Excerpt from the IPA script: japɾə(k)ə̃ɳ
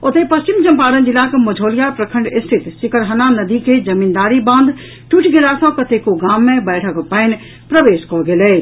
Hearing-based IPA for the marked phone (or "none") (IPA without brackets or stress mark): kʰ